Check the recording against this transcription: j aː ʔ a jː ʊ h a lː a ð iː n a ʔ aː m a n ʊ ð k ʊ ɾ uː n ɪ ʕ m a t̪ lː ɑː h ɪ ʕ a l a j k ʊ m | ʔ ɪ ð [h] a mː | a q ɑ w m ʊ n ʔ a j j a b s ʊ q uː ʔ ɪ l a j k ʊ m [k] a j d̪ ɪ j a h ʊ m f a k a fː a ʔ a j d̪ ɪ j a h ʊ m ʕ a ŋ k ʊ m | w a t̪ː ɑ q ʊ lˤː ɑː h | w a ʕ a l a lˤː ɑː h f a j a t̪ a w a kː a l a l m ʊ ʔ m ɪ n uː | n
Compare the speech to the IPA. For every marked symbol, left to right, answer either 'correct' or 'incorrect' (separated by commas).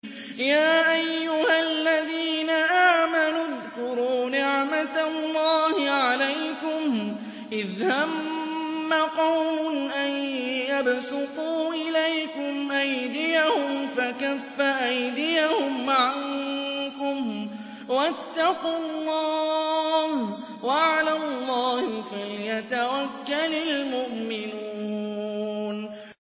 correct, incorrect